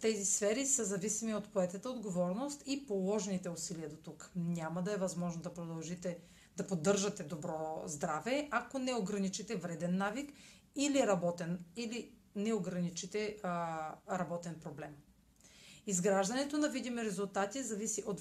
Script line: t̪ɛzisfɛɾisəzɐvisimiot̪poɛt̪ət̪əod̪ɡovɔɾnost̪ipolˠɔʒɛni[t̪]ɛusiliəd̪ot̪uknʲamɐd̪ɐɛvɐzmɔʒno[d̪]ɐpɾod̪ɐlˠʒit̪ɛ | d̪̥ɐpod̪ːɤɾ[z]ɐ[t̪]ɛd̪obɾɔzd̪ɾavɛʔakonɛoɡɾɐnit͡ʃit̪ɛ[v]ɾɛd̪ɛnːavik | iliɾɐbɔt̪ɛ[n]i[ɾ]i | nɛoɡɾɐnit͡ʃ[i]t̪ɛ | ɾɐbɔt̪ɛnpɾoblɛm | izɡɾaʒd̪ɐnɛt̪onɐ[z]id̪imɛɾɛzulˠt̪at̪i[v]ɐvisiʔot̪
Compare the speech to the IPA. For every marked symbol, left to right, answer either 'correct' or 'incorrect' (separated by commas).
correct, correct, incorrect, correct, correct, correct, incorrect, correct, incorrect, incorrect